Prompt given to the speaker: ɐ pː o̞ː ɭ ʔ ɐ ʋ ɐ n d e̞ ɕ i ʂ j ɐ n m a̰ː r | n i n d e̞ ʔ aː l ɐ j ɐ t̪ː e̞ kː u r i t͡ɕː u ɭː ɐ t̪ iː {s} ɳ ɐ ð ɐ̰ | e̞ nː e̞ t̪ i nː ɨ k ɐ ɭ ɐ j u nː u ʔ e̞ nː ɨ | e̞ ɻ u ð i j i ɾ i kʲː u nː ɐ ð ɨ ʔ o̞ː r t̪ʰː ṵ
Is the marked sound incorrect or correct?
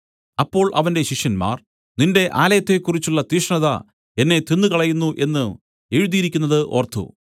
incorrect: ʂ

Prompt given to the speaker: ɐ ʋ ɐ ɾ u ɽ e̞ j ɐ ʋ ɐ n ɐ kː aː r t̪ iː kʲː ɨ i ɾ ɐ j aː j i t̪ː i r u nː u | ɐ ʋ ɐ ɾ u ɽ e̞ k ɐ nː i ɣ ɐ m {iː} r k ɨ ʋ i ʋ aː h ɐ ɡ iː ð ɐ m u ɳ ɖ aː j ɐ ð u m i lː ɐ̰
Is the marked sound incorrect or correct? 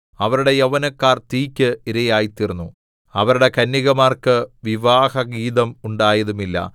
incorrect: aː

